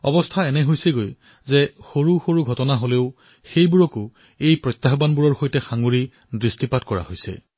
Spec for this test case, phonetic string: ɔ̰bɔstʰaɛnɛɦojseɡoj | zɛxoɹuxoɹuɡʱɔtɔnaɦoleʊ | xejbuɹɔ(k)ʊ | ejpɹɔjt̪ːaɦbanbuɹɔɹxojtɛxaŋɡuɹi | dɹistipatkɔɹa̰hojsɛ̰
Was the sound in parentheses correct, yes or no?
yes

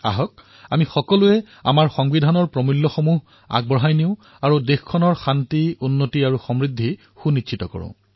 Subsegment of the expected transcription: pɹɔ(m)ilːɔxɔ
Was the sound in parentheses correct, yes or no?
yes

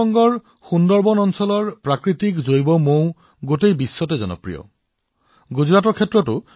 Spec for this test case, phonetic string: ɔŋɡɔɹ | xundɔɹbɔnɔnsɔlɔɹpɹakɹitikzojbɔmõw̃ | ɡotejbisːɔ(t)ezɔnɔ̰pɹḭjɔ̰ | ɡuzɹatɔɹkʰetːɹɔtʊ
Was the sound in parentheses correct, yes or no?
yes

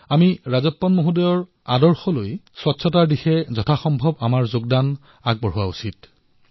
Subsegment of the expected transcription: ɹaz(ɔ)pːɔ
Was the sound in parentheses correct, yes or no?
yes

